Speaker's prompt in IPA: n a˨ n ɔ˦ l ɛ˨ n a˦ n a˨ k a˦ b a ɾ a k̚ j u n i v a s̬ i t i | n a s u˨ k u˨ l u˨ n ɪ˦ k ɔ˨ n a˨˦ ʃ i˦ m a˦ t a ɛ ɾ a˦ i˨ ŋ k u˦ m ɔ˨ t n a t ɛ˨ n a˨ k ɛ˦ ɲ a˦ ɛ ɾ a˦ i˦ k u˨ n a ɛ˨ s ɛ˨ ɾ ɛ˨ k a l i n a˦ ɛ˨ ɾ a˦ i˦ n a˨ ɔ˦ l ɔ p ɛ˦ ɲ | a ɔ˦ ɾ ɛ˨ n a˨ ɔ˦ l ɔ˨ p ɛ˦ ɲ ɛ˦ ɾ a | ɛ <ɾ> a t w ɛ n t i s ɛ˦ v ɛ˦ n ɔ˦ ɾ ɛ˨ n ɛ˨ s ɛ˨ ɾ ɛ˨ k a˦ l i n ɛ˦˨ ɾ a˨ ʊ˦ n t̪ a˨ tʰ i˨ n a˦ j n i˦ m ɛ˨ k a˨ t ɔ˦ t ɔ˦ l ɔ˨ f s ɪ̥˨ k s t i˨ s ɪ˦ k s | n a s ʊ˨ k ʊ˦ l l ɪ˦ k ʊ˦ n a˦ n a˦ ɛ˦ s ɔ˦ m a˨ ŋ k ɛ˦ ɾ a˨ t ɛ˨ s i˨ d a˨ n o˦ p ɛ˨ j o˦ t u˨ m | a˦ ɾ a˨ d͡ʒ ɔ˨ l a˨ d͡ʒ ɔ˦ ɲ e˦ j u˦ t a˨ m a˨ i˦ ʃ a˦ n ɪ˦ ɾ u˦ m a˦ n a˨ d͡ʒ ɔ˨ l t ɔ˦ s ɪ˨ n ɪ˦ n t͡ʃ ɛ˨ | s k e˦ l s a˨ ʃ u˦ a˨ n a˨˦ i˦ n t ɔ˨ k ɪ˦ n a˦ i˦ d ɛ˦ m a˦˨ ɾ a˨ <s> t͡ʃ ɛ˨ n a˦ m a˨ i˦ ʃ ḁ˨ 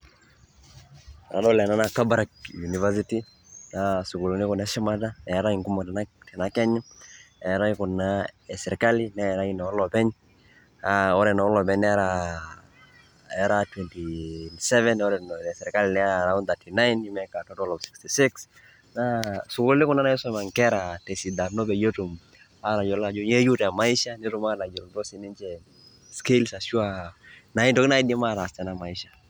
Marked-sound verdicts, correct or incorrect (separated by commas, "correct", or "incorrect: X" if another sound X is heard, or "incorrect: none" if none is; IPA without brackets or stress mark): correct, correct